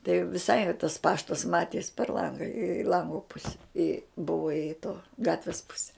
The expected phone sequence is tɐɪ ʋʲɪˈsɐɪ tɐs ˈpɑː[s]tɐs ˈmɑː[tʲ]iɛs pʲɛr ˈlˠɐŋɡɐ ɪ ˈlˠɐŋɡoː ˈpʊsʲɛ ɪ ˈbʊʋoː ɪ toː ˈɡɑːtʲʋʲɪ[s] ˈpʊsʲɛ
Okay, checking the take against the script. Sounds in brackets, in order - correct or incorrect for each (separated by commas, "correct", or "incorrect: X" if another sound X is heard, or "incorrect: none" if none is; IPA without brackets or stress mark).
incorrect: ʃ, correct, correct